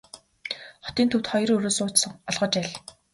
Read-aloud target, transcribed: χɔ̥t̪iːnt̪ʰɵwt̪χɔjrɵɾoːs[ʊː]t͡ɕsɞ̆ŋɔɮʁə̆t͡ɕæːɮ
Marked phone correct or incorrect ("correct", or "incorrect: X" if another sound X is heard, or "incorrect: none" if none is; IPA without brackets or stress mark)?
correct